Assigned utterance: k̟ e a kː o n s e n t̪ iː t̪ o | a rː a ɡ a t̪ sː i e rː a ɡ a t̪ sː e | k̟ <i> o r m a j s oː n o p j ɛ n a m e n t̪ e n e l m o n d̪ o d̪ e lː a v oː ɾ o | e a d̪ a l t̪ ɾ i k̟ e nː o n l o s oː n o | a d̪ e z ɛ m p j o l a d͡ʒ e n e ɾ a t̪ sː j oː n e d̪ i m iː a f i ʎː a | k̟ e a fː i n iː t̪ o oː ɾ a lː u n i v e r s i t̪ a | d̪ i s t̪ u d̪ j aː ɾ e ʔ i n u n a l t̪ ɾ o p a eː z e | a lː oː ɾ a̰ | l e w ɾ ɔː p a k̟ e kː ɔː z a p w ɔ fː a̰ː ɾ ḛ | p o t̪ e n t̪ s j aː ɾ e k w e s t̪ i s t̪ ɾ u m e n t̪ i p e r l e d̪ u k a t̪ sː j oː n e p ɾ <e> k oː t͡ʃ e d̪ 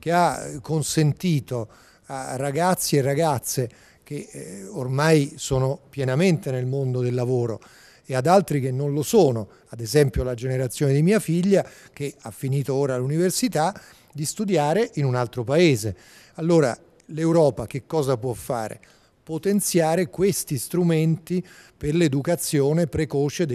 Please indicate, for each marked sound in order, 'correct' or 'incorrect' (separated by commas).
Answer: incorrect, correct